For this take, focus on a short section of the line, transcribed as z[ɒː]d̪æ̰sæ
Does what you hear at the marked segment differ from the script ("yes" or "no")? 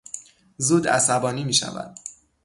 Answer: yes